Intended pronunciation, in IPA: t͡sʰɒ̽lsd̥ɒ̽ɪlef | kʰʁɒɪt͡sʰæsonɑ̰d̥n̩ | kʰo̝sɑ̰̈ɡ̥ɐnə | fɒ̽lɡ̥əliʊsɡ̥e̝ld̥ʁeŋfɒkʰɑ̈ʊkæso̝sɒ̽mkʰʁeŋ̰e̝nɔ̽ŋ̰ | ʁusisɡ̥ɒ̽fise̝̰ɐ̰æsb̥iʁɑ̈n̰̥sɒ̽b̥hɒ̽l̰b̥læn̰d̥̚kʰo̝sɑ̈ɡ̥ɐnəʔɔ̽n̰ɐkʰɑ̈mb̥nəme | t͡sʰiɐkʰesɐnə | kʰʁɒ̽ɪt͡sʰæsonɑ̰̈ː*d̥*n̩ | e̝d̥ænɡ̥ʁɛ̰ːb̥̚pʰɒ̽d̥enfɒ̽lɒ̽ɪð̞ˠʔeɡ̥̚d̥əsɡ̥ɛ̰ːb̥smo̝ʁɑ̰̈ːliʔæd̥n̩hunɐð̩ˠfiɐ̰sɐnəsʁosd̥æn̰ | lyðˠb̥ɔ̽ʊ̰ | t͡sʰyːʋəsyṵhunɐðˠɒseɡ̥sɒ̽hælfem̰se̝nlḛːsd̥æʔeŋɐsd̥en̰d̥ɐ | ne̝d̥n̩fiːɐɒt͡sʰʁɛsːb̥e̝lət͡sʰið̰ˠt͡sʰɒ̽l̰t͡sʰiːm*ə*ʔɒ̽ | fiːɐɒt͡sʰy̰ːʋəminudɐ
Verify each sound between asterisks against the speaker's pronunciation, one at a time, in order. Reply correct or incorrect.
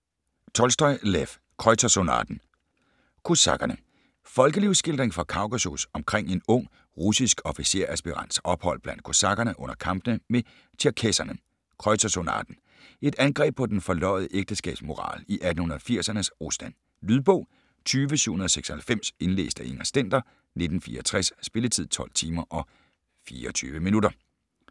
correct, incorrect: ɐ

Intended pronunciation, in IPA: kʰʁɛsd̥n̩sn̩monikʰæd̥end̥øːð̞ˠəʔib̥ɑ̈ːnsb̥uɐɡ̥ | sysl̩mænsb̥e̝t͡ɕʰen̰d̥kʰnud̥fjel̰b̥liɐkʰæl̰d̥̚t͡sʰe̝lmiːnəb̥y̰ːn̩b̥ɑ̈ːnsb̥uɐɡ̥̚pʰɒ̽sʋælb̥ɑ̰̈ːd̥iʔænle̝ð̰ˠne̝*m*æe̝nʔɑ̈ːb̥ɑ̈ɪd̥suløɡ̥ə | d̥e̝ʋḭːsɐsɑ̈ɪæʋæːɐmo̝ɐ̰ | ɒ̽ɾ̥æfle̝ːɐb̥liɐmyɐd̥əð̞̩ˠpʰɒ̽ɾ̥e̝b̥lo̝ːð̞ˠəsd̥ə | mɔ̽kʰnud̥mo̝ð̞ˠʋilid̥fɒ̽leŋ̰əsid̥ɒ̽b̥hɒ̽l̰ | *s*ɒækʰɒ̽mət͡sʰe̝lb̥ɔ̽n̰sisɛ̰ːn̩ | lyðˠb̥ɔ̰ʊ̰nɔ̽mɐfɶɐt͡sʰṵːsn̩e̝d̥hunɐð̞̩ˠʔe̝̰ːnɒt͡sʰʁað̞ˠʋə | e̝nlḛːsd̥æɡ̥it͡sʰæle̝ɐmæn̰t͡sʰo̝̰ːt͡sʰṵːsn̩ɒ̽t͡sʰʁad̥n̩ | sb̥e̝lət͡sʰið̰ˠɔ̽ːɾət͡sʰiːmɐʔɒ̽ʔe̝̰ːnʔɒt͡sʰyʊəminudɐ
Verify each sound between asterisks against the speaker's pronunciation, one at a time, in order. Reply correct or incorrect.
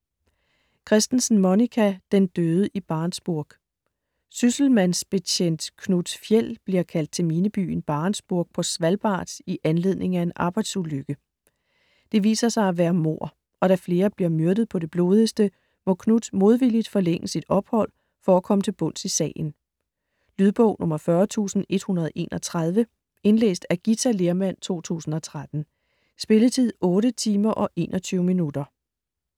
incorrect: ŋ, incorrect: f

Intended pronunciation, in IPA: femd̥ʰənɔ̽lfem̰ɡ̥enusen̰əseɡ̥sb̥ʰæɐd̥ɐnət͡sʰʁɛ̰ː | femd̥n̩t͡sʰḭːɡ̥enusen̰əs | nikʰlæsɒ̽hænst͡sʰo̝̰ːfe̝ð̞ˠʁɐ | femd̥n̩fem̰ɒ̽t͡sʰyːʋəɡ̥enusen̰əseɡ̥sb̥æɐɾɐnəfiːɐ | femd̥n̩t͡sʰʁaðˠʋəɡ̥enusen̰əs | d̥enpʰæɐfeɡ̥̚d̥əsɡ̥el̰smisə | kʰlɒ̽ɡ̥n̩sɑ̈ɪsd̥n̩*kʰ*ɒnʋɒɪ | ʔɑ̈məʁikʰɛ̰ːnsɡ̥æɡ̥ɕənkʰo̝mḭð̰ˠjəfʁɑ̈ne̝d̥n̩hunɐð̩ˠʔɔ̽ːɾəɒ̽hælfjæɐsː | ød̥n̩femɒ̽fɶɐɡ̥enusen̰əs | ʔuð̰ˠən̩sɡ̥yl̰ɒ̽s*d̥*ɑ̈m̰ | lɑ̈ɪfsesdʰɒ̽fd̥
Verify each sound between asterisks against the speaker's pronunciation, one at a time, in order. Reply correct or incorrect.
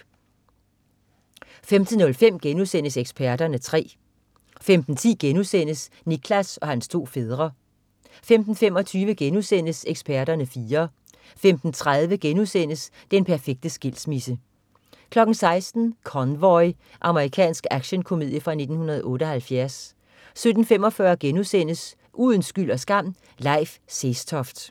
correct, incorrect: ɡ̥

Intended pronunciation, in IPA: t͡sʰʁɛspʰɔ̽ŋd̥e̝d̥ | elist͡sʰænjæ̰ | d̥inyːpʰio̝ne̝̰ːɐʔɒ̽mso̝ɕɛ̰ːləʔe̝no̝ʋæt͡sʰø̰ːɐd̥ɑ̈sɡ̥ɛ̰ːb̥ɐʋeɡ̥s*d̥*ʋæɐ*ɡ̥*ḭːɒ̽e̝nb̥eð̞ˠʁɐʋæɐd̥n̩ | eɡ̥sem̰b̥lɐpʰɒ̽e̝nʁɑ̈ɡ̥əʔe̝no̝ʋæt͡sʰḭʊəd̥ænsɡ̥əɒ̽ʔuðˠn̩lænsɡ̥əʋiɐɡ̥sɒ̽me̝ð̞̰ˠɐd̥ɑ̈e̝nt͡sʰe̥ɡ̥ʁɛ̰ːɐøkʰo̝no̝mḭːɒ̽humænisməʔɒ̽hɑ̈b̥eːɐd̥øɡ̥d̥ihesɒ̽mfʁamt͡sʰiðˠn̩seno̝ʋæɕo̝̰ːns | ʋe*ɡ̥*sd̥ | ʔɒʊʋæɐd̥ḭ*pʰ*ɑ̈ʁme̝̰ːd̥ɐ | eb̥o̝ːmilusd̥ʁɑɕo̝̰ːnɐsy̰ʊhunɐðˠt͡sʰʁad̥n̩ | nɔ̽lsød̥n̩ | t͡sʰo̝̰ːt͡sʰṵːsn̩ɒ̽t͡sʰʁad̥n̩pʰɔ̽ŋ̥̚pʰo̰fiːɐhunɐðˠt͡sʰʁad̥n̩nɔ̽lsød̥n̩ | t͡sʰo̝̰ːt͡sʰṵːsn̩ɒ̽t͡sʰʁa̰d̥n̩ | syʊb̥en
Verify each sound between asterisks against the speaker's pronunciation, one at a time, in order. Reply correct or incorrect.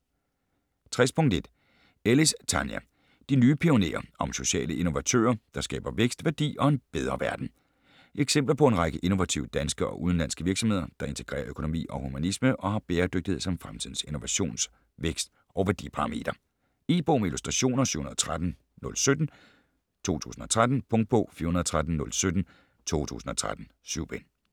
correct, incorrect: d̥, correct, correct

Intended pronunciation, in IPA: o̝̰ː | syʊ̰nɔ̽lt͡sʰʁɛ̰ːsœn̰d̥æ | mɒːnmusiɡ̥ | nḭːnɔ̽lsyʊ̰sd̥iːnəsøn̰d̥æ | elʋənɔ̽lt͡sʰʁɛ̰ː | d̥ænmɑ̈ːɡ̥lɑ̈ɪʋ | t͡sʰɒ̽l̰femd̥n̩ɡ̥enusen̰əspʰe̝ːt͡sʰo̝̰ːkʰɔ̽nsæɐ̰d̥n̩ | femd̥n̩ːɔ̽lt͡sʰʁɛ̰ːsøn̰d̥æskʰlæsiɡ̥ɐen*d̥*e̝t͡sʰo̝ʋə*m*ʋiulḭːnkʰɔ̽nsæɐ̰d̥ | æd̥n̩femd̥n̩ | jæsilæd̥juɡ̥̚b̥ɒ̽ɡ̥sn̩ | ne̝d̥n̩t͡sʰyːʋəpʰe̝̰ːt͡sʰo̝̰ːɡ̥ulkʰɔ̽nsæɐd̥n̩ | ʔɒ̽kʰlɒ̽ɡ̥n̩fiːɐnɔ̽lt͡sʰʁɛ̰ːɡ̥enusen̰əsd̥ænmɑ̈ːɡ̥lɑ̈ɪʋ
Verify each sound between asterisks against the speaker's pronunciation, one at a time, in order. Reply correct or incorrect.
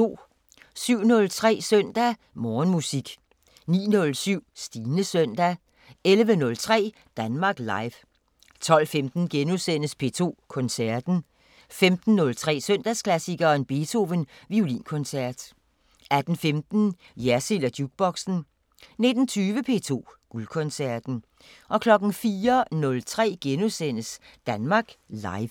incorrect: b̥, incorrect: n

